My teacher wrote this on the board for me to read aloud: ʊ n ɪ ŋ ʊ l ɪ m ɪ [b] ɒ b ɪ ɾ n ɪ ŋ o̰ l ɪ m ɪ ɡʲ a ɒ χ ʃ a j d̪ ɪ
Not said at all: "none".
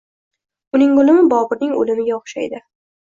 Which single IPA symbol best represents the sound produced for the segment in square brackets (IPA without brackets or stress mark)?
b